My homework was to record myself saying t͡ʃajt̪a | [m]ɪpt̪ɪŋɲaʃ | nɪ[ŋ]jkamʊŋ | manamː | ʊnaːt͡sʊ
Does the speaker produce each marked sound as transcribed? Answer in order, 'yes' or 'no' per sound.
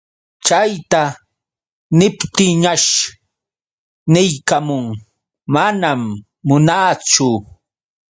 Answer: no, no

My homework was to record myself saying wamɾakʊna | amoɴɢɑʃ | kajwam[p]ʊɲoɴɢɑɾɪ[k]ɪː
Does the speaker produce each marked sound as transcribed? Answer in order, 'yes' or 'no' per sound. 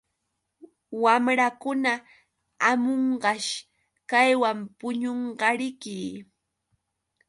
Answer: yes, yes

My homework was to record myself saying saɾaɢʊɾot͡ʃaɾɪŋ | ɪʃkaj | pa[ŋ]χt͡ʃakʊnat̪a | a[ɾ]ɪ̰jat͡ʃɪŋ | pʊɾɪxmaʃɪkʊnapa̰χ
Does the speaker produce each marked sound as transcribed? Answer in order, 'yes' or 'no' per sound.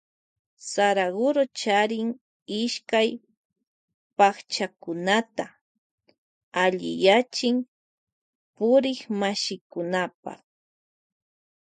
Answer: no, no

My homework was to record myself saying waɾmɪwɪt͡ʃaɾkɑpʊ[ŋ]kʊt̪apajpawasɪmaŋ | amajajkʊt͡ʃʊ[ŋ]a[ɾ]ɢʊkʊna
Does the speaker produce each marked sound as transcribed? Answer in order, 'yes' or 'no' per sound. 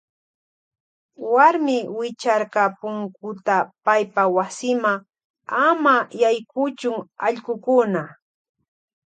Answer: yes, yes, no

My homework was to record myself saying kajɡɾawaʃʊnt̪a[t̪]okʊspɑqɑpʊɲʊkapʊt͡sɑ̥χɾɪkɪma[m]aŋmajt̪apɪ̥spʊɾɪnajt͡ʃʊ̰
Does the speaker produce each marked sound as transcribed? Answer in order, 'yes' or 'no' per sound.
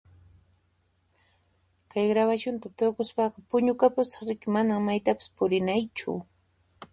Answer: yes, no

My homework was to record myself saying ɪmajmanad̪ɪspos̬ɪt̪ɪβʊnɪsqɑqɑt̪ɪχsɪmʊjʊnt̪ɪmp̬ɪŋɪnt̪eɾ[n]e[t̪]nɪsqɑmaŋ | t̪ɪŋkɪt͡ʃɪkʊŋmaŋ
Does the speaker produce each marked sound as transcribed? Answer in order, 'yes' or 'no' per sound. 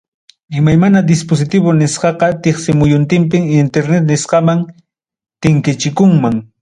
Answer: yes, yes

